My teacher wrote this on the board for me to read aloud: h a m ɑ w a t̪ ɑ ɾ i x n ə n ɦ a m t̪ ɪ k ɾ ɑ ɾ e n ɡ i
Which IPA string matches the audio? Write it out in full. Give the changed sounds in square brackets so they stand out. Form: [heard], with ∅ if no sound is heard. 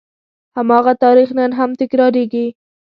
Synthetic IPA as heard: h a m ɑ [ɣ] a t̪ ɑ ɾ i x n ə n ɦ a m t̪ ɪ k ɾ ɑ ɾ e [∅] ɡ i